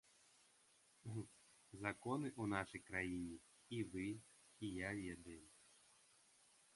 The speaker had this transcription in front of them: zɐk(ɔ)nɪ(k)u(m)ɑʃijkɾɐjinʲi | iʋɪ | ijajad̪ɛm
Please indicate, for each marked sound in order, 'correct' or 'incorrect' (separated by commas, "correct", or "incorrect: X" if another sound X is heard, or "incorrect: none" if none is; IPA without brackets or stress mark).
correct, incorrect: ʔ, incorrect: n